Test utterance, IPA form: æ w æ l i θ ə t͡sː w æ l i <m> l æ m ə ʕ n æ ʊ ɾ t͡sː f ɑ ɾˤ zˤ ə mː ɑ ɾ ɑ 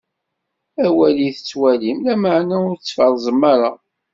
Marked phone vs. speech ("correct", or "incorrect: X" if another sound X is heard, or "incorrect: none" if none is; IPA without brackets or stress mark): correct